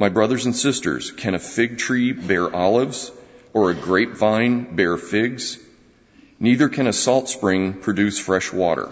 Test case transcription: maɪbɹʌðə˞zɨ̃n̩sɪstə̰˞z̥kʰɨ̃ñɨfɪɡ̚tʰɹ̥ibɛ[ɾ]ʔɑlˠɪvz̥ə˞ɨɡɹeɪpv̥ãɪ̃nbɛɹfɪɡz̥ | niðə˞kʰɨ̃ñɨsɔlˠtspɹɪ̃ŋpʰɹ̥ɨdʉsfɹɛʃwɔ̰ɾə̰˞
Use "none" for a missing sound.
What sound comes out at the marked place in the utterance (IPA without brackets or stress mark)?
ɹ